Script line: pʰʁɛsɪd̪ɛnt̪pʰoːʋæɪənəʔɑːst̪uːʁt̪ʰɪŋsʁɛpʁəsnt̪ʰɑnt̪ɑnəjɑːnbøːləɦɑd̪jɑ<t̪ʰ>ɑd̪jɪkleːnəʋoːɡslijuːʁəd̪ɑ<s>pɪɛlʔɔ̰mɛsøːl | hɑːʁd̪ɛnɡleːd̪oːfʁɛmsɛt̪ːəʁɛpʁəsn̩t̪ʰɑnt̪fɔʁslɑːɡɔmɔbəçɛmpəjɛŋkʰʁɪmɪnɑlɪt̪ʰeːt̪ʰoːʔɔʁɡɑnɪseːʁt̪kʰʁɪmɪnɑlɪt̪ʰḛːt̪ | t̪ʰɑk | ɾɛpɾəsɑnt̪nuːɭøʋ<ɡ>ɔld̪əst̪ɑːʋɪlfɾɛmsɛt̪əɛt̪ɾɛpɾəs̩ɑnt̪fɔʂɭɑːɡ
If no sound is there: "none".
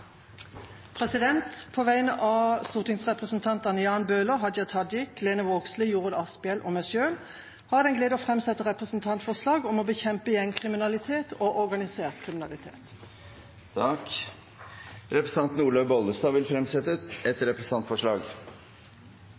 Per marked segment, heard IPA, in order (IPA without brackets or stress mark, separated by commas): t̪ʰ, s, b